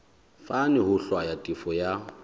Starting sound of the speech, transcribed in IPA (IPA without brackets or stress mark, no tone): f